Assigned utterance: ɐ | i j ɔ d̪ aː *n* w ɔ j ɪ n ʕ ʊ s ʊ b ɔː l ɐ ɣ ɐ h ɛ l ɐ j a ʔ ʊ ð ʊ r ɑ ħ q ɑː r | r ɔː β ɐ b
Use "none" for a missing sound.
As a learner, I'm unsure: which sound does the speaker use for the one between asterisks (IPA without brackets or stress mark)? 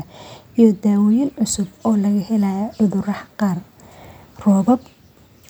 none